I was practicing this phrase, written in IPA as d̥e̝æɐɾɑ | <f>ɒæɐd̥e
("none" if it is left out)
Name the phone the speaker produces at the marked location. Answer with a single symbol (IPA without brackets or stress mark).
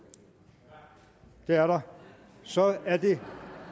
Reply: s